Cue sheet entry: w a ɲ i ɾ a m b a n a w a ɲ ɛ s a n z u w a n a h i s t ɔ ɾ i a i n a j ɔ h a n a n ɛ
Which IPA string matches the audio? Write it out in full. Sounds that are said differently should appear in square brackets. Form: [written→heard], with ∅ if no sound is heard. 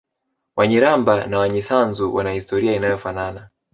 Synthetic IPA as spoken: w a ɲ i ɾ a m b a n a w a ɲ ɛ s a n z u w a n a h i s t ɔ ɾ i a i n a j ɔ [h→f] a n a n [ɛ→a]